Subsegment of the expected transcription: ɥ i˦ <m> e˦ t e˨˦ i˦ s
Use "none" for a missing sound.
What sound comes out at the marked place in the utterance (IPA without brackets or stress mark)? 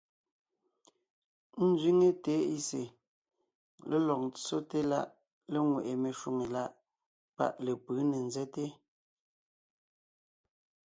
ŋ